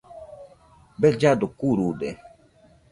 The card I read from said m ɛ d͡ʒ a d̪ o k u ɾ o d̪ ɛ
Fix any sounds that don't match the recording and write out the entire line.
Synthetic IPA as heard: b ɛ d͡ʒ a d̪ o k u ɾ u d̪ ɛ